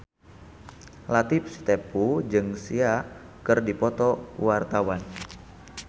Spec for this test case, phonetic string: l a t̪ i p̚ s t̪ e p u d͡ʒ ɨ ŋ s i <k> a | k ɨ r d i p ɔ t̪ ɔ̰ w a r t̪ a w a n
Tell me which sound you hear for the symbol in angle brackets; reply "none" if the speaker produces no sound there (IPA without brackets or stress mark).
none